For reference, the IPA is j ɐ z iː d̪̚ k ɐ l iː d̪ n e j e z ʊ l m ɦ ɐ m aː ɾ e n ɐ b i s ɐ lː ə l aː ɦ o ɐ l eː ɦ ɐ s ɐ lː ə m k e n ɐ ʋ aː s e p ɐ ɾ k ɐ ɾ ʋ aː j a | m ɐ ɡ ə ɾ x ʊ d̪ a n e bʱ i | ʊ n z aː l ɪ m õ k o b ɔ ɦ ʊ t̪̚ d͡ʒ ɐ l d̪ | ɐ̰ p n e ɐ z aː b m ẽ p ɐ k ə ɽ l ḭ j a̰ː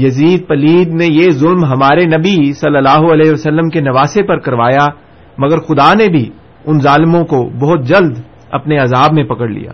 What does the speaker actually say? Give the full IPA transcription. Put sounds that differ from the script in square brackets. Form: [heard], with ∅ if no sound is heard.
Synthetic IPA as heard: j ɐ z iː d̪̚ [p] ɐ l iː d̪ n e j e z ʊ l m ɦ ɐ m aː ɾ e n ɐ b i s ɐ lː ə l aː ɦ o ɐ l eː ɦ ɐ s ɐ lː ə m k e n ɐ ʋ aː s e p ɐ ɾ k ɐ ɾ ʋ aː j a | m ɐ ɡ ə ɾ x ʊ d̪ a n e bʱ i | ʊ n z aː l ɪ m õ k o b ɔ ɦ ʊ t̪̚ d͡ʒ ɐ l d̪ | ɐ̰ p n e ɐ z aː b m ẽ p ɐ k ə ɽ l ḭ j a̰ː